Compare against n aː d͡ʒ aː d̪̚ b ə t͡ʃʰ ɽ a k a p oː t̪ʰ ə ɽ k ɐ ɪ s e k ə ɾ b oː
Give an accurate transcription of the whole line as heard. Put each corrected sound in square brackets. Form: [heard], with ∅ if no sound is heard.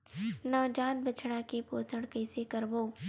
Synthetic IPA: n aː d͡ʒ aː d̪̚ b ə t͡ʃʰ ɽ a k [e] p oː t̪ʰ ə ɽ k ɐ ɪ s e k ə ɾ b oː